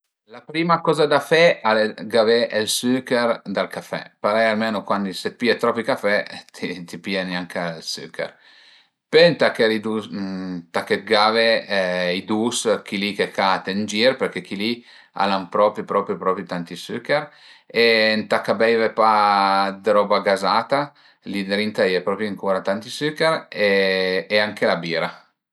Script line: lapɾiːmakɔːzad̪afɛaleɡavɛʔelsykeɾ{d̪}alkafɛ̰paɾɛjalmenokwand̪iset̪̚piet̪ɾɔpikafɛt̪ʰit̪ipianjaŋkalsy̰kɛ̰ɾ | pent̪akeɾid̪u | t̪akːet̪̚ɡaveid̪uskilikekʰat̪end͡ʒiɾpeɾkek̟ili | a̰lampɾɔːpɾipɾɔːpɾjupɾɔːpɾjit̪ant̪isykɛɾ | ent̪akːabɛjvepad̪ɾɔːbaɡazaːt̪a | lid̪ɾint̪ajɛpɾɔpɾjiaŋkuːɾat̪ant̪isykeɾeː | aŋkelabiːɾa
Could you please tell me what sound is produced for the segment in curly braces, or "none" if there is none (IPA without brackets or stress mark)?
d̪